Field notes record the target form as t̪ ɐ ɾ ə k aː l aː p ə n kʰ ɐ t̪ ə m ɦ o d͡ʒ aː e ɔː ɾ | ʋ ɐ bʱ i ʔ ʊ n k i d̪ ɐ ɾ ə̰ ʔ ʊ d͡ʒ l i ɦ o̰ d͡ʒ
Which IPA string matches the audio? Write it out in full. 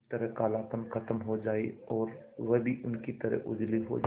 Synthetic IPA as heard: t̪ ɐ ɾ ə k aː l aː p ə n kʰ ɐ t̪ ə m ɦ o d͡ʒ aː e ɔː ɾ | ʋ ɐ bʱ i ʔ ʊ n k i t̪ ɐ ɾ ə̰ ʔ ʊ d͡ʒ l i ɦ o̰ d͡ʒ